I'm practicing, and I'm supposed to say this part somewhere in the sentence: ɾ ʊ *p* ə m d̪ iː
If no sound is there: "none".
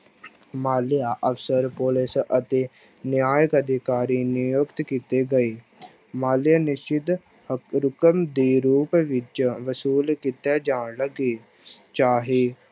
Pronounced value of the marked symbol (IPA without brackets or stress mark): k